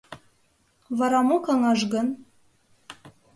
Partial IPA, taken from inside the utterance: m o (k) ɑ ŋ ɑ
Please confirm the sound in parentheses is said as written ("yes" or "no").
yes